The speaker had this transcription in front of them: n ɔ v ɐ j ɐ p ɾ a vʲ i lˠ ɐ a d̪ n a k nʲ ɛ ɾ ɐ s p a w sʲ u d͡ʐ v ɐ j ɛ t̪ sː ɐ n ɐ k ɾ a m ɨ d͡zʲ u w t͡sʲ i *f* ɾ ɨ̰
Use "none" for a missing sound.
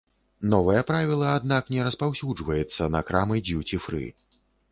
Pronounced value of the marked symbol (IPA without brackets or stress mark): f